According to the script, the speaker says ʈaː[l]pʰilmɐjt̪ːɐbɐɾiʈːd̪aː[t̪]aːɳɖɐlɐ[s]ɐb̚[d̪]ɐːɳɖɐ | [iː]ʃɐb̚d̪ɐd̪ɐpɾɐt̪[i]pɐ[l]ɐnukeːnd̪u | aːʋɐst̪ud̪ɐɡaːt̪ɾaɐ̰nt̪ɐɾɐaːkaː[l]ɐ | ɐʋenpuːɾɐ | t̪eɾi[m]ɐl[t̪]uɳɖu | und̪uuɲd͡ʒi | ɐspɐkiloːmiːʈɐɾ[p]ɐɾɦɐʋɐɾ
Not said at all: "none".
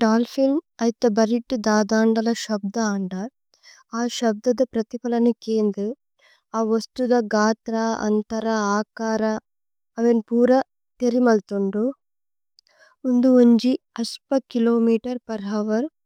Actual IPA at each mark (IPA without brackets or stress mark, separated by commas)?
l, d̪, ʃ, d̪, aː, i, l, ɾ, m, t̪, p